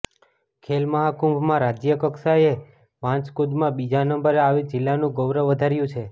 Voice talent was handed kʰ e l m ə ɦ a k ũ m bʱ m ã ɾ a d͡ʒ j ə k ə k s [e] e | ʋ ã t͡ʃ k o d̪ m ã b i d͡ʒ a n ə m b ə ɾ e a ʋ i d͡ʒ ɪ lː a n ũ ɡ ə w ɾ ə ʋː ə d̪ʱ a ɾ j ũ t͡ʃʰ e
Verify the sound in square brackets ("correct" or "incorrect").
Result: incorrect